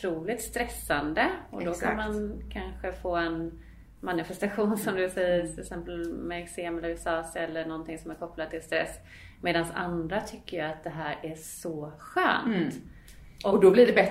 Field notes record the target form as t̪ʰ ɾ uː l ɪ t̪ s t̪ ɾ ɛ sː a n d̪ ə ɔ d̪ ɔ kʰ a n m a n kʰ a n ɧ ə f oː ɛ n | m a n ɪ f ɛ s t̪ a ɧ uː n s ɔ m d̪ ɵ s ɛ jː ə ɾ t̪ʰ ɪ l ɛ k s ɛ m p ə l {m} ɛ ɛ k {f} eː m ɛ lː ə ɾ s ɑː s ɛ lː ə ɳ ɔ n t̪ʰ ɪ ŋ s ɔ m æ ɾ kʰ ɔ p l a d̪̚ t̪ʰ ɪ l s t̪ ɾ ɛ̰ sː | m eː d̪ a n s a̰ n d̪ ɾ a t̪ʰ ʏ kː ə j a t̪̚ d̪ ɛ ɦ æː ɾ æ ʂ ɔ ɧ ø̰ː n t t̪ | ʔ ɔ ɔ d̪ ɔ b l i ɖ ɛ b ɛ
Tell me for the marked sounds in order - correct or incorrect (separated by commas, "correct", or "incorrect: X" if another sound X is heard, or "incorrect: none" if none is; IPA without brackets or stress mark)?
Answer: correct, incorrect: s